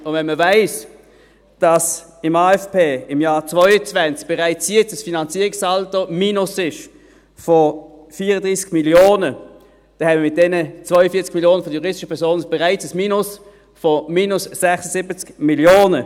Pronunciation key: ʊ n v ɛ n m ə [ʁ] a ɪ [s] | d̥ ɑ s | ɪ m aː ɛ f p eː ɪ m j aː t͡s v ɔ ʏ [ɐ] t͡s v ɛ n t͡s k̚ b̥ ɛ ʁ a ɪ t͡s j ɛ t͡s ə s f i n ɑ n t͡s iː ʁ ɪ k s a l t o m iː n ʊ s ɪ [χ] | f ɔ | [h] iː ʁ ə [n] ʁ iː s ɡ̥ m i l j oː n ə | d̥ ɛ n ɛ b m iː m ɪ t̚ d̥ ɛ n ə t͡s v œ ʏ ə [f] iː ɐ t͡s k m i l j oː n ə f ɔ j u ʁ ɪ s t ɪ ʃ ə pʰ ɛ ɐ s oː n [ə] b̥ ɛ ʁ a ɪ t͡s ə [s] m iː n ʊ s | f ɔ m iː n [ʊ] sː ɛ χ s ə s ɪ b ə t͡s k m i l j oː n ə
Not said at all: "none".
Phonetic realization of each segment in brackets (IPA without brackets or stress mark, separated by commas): v, s, ə, ʃ, f, d, f, ə, s, ʊ